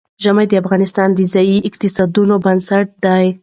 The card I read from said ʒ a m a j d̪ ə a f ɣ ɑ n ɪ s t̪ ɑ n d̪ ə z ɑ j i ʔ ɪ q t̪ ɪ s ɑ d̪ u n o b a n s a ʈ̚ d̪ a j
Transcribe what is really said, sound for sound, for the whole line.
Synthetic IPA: ʒ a m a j d̪ ə a f ɣ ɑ n ɪ s t̪ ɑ n d̪ ə z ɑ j i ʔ ɪ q t̪ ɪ s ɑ d̪ u n o b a n s a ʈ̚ d̪ a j